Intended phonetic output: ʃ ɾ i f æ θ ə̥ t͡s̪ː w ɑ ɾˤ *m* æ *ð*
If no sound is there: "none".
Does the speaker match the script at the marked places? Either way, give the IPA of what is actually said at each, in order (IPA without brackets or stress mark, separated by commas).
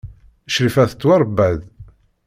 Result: b, ð